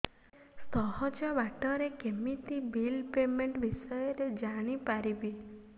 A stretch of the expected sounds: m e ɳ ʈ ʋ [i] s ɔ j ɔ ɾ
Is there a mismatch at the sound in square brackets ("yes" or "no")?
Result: no